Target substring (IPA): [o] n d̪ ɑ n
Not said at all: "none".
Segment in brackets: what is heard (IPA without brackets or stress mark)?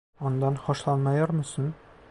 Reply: ɒ